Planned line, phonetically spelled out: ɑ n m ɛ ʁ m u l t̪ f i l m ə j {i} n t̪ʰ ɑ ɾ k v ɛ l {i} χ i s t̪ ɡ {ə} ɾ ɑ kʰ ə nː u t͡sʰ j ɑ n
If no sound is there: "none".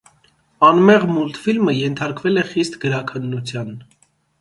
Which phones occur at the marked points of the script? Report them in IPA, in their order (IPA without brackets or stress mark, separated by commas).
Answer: ɛ, ɛ, ə